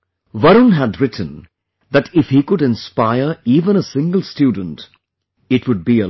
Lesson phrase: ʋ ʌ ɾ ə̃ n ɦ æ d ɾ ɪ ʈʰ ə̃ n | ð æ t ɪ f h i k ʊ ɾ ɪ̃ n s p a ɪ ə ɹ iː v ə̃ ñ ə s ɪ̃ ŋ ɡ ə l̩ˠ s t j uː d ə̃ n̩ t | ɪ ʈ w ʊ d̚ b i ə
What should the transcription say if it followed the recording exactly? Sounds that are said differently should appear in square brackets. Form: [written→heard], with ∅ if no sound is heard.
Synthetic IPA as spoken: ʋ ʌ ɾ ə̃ n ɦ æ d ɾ ɪ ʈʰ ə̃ n | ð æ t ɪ f h i k ʊ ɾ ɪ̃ n s p a ɪ ə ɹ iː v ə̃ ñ ə s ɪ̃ ŋ ɡ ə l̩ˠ s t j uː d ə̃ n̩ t | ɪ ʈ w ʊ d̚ b i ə